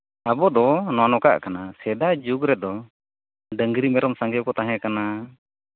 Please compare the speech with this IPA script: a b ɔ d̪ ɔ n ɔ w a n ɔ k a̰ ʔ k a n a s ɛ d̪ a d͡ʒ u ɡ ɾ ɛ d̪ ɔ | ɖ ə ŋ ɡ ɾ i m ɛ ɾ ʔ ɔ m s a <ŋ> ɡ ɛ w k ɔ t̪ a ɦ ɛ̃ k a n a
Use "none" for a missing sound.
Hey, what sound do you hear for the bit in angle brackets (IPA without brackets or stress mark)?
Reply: ŋ